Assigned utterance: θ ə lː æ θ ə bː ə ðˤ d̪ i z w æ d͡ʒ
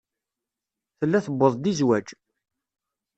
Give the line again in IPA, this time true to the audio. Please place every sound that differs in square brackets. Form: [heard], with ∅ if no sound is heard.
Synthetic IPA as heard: θ ə lː æ θ ə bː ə ðˤ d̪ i z w æ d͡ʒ